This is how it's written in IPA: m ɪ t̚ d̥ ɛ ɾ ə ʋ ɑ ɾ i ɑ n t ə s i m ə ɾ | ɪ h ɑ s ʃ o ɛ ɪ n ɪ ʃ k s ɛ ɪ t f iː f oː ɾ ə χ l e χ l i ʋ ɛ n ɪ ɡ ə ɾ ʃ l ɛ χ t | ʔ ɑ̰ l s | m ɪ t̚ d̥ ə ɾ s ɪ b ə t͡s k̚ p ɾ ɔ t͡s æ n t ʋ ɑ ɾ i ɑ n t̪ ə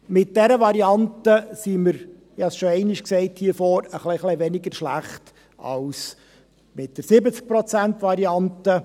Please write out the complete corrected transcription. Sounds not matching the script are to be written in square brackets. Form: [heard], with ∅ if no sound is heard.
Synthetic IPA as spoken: m ɪ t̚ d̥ ɛ ɾ ə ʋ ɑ ɾ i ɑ n t ə s i m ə ɾ | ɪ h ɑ s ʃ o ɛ ɪ n ɪ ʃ k s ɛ ɪ t [h] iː f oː ɾ ə χ l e χ l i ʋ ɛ n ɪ ɡ ə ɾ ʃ l [æ] χ t | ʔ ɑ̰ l s | m ɪ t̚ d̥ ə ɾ s ɪ b ə t͡s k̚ p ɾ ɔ t͡s æ n t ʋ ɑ ɾ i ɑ n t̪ ə